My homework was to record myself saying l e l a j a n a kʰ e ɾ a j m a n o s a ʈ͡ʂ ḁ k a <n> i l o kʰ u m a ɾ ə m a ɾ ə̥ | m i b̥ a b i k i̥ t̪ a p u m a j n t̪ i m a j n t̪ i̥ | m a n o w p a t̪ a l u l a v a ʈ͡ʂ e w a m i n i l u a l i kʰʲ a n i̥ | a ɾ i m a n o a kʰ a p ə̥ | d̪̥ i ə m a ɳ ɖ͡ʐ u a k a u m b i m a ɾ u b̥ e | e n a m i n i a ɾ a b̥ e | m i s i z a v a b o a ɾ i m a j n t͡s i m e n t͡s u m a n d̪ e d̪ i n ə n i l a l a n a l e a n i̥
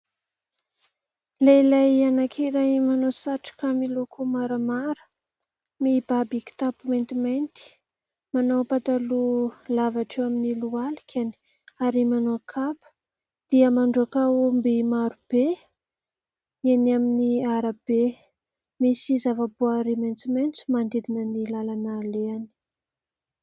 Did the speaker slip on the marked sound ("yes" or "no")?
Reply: yes